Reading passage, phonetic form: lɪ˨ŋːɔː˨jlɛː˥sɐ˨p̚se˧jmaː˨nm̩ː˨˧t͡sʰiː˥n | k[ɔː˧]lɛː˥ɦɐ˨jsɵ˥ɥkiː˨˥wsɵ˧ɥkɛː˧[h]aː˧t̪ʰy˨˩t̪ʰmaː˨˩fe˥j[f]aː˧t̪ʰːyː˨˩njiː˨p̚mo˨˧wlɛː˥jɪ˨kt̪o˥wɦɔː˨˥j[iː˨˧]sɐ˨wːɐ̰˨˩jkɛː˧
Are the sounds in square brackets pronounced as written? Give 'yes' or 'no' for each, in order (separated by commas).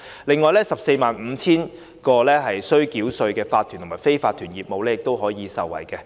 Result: yes, no, yes, yes